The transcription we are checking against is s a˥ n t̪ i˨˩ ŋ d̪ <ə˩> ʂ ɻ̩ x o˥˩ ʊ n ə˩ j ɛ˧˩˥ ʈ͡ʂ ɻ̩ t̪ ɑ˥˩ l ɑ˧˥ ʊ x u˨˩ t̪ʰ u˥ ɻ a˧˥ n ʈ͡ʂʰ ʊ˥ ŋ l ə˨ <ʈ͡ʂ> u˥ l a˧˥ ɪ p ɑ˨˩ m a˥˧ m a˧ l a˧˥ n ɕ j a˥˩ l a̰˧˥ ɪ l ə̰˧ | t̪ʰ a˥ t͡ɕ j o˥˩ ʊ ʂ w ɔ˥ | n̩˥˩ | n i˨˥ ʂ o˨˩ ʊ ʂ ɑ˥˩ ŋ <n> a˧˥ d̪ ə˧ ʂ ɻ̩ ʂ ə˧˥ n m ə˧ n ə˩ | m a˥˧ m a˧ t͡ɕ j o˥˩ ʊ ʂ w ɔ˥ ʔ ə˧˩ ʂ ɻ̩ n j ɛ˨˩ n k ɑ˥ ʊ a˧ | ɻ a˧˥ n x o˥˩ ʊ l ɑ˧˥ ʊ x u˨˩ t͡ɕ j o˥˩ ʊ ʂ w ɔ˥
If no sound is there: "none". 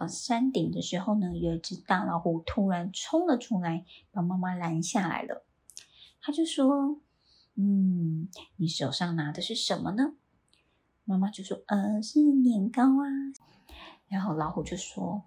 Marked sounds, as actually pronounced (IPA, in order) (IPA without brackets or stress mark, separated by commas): ə˦, ʈ͡ʂʰ, n